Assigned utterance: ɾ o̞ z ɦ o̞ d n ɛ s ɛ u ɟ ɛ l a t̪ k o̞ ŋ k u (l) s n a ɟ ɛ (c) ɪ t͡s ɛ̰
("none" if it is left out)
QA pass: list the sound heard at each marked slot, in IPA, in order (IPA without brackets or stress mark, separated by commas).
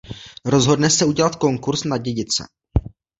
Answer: ɾ, ɟ